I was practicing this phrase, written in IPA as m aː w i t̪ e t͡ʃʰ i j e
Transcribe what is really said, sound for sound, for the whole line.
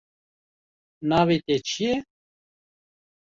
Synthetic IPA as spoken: n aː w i t̪ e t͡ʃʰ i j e